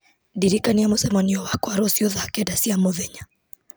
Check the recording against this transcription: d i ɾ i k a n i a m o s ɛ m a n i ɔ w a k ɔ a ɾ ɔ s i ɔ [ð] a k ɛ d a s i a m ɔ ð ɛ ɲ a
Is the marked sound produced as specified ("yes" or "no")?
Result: yes